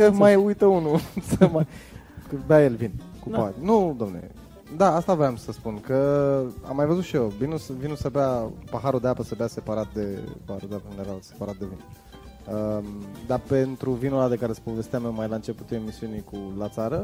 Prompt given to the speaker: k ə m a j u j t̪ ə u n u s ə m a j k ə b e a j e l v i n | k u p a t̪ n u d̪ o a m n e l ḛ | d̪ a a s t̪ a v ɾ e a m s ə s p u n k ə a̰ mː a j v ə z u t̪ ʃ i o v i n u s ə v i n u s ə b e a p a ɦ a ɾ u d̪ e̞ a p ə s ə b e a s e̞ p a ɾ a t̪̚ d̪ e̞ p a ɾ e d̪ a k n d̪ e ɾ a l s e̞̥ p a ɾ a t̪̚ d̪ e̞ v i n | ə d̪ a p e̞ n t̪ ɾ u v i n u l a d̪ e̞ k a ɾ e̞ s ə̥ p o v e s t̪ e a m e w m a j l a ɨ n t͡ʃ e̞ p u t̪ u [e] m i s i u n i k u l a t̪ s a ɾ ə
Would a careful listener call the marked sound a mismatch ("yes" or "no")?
no